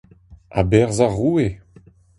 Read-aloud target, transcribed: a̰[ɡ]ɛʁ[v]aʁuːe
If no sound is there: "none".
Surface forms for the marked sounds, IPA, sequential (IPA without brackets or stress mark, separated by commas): b, z